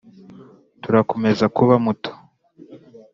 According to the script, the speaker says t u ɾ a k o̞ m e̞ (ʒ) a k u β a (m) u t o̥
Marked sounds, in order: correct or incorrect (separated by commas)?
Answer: incorrect, correct